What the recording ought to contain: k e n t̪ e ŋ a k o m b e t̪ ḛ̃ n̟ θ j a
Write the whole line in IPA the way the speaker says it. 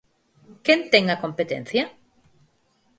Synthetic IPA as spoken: k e n t̪ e ŋ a k o m p e t̪ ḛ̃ n̟ θ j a